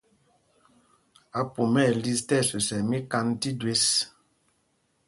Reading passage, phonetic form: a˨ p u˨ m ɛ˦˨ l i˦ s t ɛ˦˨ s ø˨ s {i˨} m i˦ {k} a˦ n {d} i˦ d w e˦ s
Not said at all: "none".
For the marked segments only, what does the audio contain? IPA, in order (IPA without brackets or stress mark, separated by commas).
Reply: ɛ˨, k, t